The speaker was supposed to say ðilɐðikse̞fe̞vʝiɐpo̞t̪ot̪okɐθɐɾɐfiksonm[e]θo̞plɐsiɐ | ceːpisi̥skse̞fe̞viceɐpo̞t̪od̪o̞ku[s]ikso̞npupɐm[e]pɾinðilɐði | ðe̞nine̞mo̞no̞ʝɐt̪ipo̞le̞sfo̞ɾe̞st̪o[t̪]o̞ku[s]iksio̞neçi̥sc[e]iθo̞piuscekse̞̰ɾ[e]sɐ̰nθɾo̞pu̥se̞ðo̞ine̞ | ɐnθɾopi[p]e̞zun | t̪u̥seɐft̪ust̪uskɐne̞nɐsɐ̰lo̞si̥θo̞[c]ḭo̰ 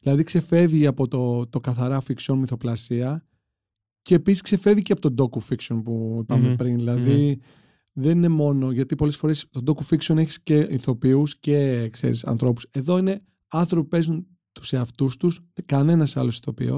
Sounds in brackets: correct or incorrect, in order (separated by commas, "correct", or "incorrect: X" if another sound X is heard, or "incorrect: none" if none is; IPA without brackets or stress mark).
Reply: incorrect: i, incorrect: f, correct, incorrect: d̪, incorrect: f, correct, incorrect: i, correct, incorrect: p